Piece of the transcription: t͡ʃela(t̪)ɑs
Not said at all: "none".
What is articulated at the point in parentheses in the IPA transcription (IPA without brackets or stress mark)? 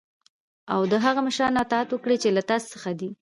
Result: t̪